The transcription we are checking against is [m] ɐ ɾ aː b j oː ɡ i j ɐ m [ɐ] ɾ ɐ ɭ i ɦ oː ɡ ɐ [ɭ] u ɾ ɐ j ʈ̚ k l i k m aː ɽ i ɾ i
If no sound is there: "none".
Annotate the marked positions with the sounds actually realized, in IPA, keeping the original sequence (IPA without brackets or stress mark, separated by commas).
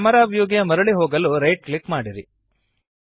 m, ɐ, l